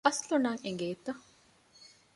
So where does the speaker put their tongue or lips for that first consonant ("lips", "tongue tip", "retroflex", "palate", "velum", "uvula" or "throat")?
tongue tip